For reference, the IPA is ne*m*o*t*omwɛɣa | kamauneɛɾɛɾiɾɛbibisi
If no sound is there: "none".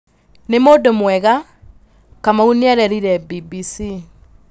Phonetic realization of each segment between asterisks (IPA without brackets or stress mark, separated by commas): m, d